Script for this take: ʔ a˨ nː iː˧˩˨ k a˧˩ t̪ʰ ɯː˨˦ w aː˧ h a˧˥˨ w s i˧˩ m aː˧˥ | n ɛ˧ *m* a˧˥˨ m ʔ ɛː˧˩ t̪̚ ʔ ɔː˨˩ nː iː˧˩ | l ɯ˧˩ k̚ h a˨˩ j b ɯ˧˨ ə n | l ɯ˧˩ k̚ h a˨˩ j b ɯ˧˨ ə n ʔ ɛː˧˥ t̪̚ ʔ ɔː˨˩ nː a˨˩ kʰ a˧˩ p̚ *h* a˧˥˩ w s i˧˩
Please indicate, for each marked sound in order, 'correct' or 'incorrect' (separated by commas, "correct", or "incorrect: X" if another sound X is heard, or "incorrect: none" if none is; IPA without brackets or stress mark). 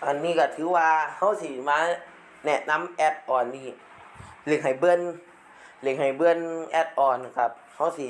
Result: incorrect: n, correct